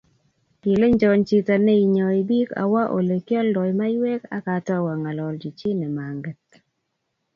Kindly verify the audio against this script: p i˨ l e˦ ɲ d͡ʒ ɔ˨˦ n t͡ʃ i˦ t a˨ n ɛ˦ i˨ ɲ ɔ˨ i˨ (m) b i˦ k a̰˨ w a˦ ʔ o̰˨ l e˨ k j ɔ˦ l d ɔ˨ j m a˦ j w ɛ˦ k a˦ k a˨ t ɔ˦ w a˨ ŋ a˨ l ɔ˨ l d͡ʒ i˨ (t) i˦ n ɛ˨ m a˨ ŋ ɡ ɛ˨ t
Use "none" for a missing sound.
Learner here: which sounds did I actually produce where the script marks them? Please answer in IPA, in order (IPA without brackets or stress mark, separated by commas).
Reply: none, t͡ʃ